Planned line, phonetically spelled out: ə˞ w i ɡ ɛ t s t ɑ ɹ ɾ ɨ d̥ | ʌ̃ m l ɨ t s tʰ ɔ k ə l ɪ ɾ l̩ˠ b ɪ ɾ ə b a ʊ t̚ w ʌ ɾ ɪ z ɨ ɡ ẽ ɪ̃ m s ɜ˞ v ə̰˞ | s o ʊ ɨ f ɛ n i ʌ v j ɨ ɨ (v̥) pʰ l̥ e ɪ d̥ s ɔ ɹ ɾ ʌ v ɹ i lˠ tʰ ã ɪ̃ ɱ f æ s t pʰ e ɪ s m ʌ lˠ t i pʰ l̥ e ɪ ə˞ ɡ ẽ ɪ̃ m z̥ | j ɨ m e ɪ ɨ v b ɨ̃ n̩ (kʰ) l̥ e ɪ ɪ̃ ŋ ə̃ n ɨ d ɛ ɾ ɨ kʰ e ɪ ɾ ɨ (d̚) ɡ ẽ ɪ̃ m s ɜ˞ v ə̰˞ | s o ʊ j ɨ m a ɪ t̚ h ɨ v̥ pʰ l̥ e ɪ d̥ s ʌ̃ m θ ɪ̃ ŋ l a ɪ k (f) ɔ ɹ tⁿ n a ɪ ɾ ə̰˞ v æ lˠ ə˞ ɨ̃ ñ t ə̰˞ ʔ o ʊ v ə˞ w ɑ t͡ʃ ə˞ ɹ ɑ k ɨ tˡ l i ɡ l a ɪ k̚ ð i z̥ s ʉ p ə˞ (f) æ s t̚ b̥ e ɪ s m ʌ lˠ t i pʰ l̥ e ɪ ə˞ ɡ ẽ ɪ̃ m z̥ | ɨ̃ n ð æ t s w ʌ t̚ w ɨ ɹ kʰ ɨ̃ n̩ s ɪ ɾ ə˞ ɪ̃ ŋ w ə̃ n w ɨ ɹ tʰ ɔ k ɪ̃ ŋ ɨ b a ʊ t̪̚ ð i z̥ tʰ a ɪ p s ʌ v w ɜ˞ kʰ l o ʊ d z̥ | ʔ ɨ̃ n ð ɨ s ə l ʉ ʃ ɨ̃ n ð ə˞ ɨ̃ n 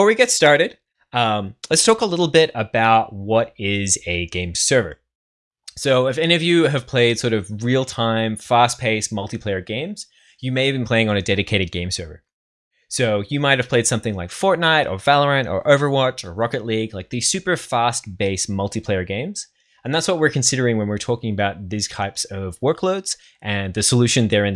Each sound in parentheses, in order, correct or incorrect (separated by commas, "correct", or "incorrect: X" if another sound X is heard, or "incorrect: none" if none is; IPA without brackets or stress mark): correct, incorrect: pʰ, correct, correct, correct